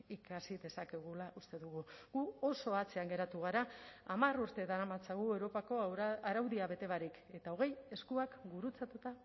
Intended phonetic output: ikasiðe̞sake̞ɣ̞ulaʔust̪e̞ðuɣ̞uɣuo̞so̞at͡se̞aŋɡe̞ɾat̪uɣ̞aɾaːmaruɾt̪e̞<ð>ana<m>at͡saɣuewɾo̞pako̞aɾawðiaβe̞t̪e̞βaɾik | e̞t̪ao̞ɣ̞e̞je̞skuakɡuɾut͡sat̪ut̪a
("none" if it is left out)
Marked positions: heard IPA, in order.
ð, m

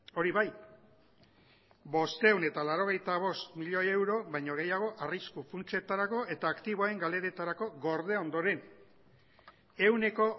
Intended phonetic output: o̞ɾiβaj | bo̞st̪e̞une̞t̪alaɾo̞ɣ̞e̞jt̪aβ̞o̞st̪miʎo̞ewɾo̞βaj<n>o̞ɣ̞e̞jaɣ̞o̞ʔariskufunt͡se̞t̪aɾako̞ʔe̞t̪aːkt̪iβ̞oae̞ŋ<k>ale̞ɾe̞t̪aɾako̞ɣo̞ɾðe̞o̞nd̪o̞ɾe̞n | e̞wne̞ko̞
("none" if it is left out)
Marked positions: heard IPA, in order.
ɲ, ɡ

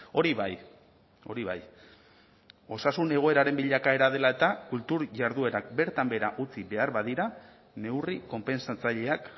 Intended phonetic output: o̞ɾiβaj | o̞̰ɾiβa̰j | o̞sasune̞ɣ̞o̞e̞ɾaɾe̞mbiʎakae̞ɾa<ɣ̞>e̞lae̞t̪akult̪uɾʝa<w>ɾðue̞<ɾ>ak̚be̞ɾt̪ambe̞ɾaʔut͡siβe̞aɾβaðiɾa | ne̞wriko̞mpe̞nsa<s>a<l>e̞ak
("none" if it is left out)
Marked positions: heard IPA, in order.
ð̞, none, ɾ, t͡s, ʎ

